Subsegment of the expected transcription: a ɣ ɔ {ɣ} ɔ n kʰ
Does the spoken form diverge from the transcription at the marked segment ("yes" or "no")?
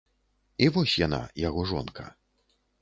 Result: yes